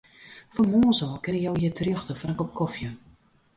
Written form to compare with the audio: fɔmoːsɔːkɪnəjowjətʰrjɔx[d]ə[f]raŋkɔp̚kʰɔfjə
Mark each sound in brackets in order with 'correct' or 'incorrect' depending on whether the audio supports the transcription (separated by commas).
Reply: incorrect, correct